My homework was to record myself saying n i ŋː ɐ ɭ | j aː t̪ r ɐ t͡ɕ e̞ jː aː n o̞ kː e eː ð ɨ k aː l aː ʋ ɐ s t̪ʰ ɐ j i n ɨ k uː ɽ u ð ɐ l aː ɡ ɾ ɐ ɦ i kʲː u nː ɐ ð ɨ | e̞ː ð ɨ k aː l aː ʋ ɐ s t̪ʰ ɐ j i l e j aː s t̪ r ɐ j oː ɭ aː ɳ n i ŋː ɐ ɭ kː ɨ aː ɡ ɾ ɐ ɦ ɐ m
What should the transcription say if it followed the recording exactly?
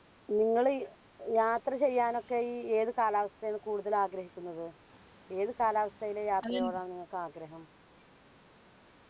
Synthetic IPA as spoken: n i ŋː ɐ ɭ | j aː t̪ r ɐ t͡ɕ e̞ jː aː n o̞ kː e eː ð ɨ k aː l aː ʋ ɐ s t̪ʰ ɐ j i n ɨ k uː ɽ u ð ɐ l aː ɡ ɾ ɐ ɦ i kʲː u nː ɐ ð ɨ | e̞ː ð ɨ k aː l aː ʋ ɐ s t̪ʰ ɐ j i l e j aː t̪ r ɐ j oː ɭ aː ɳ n i ŋː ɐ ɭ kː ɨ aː ɡ ɾ ɐ ɦ ɐ m